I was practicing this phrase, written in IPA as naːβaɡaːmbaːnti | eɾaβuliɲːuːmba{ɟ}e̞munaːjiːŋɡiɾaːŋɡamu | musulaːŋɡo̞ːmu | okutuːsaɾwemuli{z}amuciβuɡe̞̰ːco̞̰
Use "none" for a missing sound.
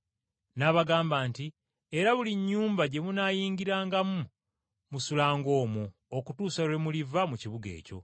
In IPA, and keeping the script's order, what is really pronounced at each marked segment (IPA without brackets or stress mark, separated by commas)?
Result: ɟ, v